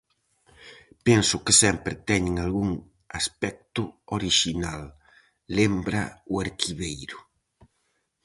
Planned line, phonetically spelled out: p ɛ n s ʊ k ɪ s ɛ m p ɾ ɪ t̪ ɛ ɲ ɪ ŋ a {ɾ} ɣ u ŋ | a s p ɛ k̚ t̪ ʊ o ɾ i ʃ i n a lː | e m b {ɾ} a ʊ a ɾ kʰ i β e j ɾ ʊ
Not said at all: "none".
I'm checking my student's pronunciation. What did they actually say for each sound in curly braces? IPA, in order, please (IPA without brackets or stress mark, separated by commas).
l, ɾ